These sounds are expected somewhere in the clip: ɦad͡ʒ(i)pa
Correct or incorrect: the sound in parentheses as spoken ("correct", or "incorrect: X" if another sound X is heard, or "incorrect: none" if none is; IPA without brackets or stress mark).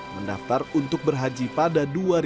correct